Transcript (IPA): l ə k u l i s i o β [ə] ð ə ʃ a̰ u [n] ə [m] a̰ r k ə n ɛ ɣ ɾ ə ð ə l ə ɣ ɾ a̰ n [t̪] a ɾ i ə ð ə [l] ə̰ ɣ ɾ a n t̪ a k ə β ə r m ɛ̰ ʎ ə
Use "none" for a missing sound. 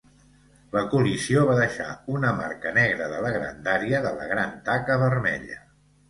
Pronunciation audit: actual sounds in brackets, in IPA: a, n, m, d̪, l

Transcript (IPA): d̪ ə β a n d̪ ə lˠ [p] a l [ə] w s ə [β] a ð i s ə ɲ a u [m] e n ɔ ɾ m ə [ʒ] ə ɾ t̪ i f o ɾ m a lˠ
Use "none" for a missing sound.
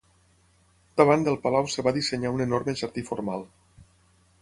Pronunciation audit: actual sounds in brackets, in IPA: p, a, β, n, ʒ

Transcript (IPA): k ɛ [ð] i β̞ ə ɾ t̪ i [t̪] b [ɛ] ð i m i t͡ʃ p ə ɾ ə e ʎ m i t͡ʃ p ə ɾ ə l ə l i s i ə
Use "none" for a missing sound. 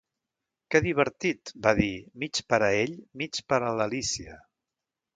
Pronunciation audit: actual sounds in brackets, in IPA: ð, t̪, a

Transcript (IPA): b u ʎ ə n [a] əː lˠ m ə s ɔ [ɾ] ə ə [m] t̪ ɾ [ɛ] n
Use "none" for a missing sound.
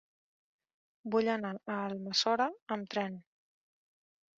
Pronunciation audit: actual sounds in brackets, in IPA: a, ɾ, m, ɛ

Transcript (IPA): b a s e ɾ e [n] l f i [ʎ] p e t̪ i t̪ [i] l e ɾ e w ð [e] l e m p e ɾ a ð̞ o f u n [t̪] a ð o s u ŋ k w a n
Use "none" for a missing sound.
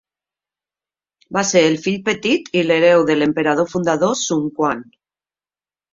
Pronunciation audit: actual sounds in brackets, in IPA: none, ʎ, i, e, d̪

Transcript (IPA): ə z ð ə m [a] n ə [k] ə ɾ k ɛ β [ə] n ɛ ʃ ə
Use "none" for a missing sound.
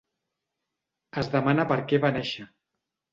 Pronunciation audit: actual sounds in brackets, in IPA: a, p, a

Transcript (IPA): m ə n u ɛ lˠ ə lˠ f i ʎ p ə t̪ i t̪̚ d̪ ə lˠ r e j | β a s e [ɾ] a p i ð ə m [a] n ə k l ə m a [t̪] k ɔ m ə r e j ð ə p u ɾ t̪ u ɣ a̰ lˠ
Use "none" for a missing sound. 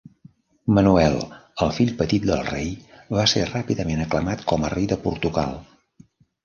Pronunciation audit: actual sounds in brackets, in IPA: r, e, t̪

